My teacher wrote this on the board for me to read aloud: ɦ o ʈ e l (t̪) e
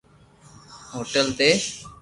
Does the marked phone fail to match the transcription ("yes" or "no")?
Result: no